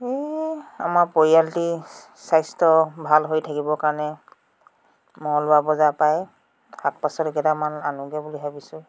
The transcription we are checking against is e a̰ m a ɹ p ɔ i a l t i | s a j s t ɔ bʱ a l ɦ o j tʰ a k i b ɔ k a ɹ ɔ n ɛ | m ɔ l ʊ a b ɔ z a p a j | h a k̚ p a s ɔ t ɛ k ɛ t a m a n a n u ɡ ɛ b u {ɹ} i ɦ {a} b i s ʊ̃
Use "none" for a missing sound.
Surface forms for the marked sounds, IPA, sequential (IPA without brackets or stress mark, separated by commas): l, a